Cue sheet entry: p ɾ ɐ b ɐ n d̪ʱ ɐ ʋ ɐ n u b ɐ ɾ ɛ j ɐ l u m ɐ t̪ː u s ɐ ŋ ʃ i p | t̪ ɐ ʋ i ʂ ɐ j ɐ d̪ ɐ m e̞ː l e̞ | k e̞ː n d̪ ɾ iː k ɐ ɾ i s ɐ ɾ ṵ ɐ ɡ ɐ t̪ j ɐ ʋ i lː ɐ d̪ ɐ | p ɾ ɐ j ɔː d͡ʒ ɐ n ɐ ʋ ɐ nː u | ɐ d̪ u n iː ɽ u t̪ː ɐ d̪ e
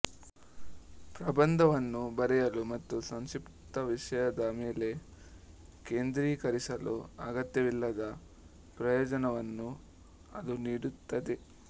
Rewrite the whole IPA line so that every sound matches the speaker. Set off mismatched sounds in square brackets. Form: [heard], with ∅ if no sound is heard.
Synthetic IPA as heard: p ɾ ɐ b ɐ n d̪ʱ ɐ ʋ ɐ [nː] u b ɐ ɾ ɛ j ɐ l u m ɐ t̪ː u s ɐ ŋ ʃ i p | t̪ ɐ ʋ i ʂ ɐ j ɐ d̪ ɐ m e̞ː l e̞ | k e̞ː n d̪ ɾ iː k ɐ ɾ i s ɐ [l] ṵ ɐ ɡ ɐ t̪ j ɐ ʋ i lː ɐ d̪ ɐ | p ɾ ɐ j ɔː d͡ʒ ɐ n ɐ ʋ ɐ nː u | ɐ d̪ u n iː ɽ u t̪ː ɐ d̪ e

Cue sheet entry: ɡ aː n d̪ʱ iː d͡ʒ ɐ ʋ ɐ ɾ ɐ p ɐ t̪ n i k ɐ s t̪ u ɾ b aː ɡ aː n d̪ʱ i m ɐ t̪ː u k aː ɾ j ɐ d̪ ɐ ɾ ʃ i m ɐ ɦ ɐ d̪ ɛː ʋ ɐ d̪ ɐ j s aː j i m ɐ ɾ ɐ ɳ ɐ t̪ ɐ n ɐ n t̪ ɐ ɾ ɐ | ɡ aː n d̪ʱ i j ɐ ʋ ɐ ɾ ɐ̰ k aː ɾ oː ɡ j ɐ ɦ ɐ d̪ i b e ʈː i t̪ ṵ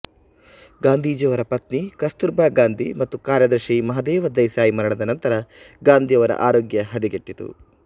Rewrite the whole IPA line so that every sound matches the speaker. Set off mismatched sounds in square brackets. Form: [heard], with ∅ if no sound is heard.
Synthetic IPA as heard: ɡ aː n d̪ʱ iː d͡ʒ ɐ ʋ ɐ ɾ ɐ p ɐ t̪ n i k ɐ s t̪ u ɾ b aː ɡ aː n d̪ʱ i m ɐ t̪ː u k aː ɾ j ɐ d̪ ɐ ɾ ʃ i m ɐ ɦ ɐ d̪ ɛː ʋ ɐ d̪ ɐ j s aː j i m ɐ ɾ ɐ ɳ ɐ [d̪] ɐ n ɐ n t̪ ɐ ɾ ɐ | ɡ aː n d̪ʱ i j ɐ ʋ ɐ ɾ ɐ̰ [ʔ] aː ɾ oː ɡ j ɐ ɦ ɐ d̪ i [ɡ] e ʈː i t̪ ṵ

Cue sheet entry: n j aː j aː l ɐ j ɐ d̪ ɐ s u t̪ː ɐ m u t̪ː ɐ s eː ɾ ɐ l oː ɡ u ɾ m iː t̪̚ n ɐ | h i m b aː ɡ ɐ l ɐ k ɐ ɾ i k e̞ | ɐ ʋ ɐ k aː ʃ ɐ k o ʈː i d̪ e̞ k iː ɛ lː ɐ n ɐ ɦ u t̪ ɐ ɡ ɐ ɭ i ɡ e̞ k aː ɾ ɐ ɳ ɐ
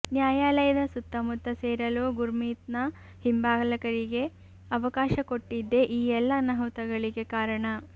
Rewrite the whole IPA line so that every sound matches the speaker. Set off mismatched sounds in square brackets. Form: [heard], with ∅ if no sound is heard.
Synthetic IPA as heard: n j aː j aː l ɐ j ɐ d̪ ɐ s u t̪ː ɐ m u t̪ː ɐ s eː ɾ ɐ l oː ɡ u ɾ m iː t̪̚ n ɐ | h i m b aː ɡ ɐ l ɐ k ɐ ɾ i [ɡ] e̞ | ɐ ʋ ɐ k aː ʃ ɐ k o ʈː i [d̪ː] e̞ [ʔ] iː ɛ lː ɐ n ɐ ɦ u t̪ ɐ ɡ ɐ ɭ i ɡ e̞ k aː ɾ ɐ ɳ ɐ

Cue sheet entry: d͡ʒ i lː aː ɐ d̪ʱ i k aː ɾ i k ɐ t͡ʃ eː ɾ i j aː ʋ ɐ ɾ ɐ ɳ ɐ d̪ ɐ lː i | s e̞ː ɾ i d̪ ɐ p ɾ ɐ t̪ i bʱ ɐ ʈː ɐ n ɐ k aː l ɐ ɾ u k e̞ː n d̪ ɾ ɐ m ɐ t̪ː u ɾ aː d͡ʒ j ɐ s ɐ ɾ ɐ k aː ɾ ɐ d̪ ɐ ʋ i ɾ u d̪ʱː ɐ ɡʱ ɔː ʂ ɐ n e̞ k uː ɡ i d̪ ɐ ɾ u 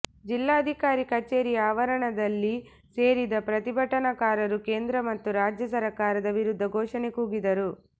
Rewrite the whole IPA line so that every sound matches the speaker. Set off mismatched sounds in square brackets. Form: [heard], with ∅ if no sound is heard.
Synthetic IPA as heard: d͡ʒ i lː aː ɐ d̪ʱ i k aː ɾ i k ɐ t͡ʃ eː ɾ i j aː ʋ ɐ ɾ ɐ ɳ ɐ d̪ ɐ lː i | s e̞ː ɾ i d̪ ɐ p ɾ ɐ t̪ i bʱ ɐ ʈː ɐ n ɐ k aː [ɾ] ɐ ɾ u k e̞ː n d̪ ɾ ɐ m ɐ t̪ː u ɾ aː d͡ʒ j ɐ s ɐ ɾ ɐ k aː ɾ ɐ d̪ ɐ ʋ i ɾ u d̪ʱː ɐ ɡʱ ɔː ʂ ɐ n e̞ k uː ɡ i d̪ ɐ ɾ u

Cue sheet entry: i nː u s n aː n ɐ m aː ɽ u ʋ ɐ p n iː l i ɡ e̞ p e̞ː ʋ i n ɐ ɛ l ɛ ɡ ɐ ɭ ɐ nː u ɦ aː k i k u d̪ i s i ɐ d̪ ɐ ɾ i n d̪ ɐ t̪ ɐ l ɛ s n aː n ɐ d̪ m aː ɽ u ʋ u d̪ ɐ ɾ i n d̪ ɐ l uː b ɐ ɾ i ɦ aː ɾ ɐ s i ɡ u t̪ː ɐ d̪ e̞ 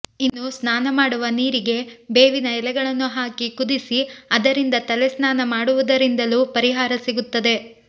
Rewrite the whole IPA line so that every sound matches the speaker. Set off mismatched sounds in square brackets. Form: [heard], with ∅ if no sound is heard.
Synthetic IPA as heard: i nː u s n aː n ɐ m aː ɽ u ʋ ɐ [∅] n iː [ɾ] i ɡ e̞ [b] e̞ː ʋ i n ɐ ɛ l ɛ ɡ ɐ ɭ ɐ nː u ɦ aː k i k u d̪ i s i ɐ d̪ ɐ ɾ i n d̪ ɐ t̪ ɐ l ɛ s n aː n ɐ [∅] m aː ɽ u ʋ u d̪ ɐ ɾ i n d̪ ɐ l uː [p] ɐ ɾ i ɦ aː ɾ ɐ s i ɡ u t̪ː ɐ d̪ e̞

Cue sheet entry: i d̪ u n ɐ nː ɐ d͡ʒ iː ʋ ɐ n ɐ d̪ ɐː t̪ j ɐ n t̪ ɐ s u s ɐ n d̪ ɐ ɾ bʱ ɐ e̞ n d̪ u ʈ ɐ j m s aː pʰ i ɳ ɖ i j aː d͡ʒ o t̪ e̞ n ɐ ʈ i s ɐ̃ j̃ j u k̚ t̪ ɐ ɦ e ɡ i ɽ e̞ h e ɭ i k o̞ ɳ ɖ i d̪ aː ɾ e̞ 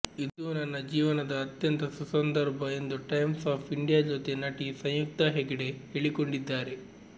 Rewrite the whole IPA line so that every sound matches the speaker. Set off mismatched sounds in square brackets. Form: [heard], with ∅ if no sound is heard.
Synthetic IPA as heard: i d̪ u n ɐ nː ɐ d͡ʒ iː ʋ ɐ n ɐ d̪ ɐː t̪ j ɐ n t̪ ɐ s u s ɐ n d̪ ɐ ɾ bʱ ɐ e̞ n d̪ u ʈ ɐ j m s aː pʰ i ɳ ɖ i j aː d͡ʒ o t̪ e̞ n ɐ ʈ i s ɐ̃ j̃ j u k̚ t̪ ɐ ɦ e ɡ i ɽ e̞ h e ɭ i k o̞ ɳ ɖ i [d̪ː] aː ɾ e̞

